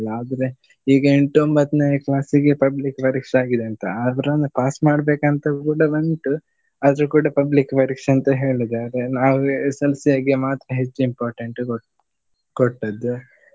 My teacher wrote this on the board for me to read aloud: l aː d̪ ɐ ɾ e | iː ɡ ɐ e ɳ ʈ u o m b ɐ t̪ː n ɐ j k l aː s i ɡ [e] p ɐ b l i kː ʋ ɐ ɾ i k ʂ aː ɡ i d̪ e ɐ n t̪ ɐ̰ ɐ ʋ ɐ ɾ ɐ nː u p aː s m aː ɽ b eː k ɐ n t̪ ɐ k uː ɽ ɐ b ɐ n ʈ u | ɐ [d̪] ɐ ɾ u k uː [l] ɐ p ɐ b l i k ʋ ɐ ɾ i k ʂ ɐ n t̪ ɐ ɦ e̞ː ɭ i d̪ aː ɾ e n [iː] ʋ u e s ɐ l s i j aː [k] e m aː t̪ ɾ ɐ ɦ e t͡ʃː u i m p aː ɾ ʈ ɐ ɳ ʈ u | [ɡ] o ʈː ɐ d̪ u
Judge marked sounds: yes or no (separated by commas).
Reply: yes, yes, no, no, no, no